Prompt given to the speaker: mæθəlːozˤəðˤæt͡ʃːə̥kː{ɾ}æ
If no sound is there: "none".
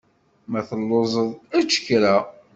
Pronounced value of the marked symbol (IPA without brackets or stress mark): ɾ